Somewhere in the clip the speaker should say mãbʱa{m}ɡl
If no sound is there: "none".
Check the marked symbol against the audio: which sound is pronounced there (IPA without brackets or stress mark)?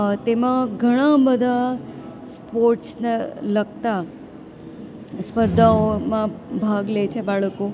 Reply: none